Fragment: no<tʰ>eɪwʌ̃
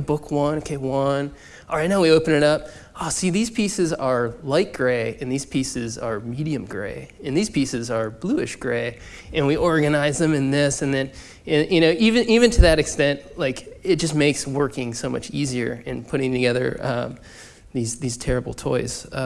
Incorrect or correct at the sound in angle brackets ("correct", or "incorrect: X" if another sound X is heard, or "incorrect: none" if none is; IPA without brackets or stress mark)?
incorrect: kʰ